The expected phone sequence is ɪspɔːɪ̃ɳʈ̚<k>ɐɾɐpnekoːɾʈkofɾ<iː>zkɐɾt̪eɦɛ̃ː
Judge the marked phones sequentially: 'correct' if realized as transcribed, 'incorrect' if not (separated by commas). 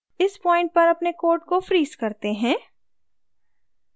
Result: incorrect, correct